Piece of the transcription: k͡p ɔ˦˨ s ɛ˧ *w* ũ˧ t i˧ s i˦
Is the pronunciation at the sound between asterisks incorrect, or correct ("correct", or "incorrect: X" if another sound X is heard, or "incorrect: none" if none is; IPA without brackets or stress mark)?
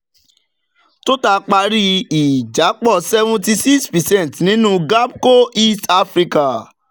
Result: incorrect: v